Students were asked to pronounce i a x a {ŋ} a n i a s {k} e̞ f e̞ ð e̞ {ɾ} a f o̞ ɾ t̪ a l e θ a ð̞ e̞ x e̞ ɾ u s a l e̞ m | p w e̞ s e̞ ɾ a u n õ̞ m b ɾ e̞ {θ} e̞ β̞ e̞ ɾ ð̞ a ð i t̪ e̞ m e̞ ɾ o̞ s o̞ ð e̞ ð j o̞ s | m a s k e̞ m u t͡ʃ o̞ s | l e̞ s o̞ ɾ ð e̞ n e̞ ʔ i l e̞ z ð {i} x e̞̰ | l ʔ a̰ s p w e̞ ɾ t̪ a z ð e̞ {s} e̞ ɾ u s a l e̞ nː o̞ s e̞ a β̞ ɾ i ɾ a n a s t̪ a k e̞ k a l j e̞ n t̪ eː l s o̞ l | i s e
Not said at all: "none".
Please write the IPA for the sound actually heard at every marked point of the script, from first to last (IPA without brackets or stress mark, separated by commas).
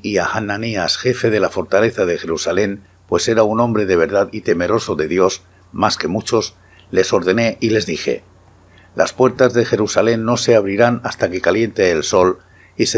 n, x, l, ð, i, x